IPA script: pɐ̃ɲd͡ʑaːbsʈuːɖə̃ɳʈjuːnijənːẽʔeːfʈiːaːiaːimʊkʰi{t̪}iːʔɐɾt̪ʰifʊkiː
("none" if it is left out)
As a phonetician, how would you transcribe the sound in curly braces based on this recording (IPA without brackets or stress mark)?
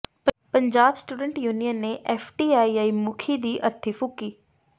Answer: d̪